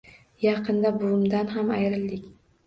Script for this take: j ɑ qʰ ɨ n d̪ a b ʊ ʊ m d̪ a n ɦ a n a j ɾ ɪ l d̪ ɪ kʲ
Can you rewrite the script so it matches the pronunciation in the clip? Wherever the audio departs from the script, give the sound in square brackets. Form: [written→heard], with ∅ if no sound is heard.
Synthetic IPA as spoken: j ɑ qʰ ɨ n d̪ a b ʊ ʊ m d̪ a n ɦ a [n→m] a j ɾ ɪ l d̪ ɪ kʲ